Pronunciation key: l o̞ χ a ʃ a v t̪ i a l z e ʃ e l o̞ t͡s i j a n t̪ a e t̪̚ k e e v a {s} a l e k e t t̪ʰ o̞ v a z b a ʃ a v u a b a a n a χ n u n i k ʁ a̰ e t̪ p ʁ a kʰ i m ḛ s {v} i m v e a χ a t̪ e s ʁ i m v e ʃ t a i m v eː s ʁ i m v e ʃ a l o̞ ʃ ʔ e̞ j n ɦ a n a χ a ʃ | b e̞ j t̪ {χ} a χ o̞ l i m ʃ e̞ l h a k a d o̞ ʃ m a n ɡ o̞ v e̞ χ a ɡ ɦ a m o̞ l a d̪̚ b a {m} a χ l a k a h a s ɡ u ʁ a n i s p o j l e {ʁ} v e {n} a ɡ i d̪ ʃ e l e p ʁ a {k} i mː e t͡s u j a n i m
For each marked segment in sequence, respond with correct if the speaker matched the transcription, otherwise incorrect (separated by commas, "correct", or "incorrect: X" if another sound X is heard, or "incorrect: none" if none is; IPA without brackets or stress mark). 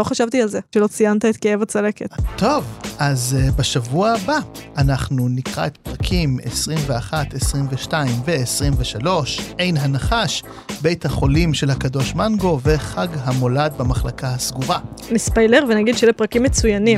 incorrect: t͡s, incorrect: ʁ, incorrect: h, correct, correct, correct, correct